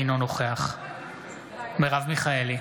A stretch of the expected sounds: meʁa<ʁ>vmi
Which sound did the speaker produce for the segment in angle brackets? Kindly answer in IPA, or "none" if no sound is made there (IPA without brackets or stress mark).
none